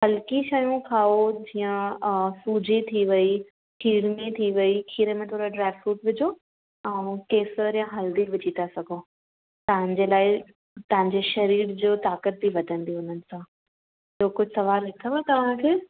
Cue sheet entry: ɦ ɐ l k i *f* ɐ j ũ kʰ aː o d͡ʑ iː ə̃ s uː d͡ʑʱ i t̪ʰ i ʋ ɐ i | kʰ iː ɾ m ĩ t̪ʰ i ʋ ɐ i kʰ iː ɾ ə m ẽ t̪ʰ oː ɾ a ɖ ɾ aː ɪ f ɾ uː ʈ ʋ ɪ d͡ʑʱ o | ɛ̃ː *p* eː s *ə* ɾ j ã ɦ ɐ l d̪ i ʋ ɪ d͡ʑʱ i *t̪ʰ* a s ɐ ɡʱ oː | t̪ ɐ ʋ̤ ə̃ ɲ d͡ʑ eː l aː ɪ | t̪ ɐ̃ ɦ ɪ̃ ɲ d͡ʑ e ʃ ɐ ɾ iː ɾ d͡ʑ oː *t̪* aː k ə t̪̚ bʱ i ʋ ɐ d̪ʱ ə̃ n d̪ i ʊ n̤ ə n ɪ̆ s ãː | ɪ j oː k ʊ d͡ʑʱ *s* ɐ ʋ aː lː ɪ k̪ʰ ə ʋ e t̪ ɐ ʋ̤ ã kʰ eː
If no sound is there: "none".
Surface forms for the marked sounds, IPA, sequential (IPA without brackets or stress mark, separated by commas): ʃ, k, ə, t̪, t̪, s